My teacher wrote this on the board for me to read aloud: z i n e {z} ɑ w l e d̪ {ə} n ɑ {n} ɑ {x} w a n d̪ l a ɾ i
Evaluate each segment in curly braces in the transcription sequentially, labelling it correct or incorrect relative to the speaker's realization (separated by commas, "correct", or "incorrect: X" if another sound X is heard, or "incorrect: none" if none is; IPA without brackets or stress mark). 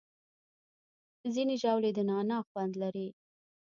incorrect: ʒ, correct, correct, correct